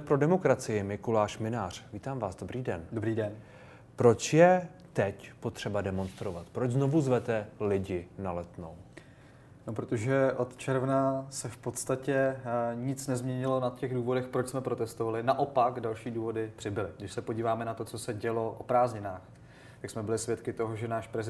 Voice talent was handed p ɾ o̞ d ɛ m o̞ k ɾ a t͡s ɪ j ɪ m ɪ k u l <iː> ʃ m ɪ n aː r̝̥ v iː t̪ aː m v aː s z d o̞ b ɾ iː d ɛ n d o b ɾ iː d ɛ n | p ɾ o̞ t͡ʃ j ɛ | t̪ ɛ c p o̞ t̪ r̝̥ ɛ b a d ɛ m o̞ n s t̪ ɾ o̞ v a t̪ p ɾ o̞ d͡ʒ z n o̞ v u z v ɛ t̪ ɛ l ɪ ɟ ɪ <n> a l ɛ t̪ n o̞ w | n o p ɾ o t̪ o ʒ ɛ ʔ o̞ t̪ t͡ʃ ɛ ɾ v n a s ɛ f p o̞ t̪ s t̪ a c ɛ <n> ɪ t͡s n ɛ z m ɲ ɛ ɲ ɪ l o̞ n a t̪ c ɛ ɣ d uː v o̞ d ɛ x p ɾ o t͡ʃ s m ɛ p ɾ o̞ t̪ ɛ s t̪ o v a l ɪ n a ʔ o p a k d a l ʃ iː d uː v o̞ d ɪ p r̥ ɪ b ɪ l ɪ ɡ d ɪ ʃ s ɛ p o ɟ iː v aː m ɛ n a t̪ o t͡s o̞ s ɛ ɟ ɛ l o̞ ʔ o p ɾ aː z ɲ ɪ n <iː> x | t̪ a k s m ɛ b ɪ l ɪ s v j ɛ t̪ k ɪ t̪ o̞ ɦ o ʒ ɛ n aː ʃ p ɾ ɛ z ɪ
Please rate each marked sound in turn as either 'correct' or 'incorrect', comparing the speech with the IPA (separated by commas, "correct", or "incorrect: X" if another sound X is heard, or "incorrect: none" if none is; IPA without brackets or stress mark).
incorrect: aː, correct, incorrect: ɲ, incorrect: aː